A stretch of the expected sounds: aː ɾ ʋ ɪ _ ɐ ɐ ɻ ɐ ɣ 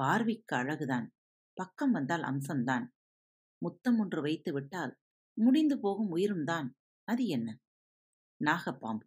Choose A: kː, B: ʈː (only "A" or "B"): A